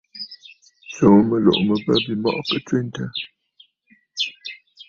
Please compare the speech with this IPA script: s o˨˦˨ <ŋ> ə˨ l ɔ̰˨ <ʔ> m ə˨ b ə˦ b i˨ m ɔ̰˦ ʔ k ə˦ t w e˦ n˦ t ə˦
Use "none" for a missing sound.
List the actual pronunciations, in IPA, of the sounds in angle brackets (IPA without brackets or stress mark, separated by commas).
m, ʔ